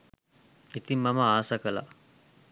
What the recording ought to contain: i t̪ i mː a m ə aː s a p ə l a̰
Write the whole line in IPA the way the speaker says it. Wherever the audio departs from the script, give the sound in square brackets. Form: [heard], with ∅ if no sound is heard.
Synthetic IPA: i t̪ i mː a m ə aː s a [k] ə l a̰